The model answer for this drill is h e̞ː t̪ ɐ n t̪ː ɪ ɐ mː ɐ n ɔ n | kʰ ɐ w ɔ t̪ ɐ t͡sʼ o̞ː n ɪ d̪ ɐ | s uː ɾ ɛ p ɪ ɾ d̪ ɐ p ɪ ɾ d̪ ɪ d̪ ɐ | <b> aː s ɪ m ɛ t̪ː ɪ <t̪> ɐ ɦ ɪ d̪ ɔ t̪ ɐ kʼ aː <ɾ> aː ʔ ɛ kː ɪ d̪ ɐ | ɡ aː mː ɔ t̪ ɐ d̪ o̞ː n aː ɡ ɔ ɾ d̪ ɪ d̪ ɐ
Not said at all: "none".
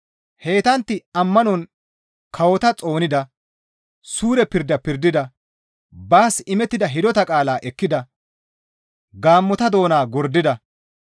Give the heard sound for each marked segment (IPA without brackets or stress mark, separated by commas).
b, d̪, l